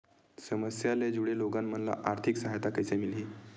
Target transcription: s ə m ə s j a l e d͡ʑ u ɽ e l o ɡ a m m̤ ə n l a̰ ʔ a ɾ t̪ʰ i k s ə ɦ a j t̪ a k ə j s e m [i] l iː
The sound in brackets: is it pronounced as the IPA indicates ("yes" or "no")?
yes